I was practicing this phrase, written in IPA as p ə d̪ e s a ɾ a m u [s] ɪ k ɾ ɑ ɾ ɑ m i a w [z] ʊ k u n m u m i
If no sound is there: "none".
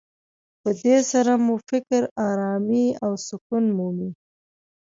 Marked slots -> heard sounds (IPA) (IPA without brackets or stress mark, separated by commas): f, s